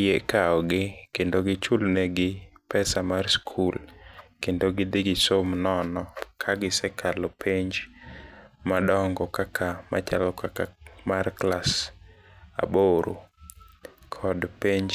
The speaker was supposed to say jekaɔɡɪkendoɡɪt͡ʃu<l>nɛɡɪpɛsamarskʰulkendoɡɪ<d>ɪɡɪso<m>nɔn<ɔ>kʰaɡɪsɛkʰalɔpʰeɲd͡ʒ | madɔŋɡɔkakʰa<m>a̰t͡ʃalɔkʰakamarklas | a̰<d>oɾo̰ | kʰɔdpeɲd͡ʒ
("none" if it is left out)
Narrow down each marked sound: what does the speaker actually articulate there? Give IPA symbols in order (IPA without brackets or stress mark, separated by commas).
l, d, m, ɔ, m, b